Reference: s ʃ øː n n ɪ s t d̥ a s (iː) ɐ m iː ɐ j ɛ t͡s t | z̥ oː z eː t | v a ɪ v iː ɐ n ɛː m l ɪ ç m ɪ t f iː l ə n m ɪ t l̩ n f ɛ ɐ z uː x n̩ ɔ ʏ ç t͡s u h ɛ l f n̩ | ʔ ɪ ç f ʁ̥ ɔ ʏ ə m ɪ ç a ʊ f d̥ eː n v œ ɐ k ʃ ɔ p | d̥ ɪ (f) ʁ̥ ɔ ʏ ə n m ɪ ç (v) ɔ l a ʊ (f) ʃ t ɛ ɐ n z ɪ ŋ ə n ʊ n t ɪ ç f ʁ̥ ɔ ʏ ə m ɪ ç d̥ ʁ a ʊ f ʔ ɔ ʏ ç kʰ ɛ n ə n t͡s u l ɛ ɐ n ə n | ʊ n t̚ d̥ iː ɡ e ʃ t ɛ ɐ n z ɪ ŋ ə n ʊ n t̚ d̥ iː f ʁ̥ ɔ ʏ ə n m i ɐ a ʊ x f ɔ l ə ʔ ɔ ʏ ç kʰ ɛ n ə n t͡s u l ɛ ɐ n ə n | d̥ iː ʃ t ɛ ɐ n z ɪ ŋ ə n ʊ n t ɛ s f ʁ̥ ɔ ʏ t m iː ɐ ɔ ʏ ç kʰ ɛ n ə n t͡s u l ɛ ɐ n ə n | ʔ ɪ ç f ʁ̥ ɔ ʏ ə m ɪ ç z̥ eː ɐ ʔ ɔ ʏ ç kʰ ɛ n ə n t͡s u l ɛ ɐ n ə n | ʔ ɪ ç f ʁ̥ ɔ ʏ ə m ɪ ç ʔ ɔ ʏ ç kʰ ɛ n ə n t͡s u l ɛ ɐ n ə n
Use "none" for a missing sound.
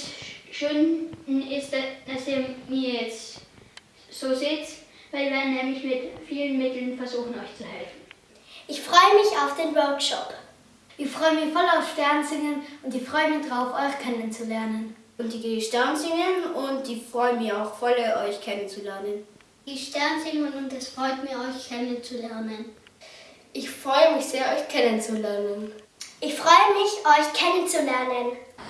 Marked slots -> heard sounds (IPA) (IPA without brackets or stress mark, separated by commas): iː, f, f, f